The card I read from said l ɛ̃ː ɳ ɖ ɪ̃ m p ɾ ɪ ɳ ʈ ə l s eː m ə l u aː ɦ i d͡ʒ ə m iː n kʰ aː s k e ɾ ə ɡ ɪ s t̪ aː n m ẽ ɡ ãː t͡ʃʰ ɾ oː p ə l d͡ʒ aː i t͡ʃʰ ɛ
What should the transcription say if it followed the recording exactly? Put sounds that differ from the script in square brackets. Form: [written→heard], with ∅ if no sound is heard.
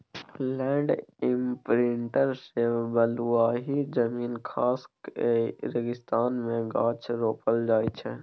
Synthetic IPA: l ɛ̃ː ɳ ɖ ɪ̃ m p ɾ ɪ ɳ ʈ ə [l→ɾ] s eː [m→b] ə l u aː ɦ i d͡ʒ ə m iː n kʰ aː s k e ɾ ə ɡ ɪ s t̪ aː n m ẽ ɡ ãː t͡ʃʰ ɾ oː p ə l d͡ʒ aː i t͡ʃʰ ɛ